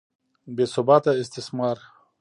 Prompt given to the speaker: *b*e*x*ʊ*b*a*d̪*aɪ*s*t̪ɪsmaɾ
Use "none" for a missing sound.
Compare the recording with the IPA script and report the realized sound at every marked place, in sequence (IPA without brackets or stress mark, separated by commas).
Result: b, s, b, t̪, s